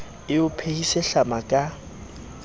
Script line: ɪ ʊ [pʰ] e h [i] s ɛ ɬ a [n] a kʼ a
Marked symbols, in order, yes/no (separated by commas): yes, yes, no